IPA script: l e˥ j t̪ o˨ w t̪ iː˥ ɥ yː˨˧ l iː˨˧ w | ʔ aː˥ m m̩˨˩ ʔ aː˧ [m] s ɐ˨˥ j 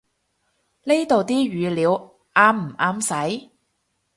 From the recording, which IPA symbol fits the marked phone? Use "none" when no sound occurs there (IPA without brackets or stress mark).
m